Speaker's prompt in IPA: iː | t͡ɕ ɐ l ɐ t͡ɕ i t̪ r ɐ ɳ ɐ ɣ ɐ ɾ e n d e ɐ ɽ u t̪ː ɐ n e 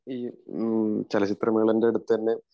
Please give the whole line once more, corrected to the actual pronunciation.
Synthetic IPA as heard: iː | t͡ɕ ɐ l ɐ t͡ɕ i t̪ r ɐ m ɐ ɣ ɐ ɭ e n d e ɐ ɽ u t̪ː ɐ nː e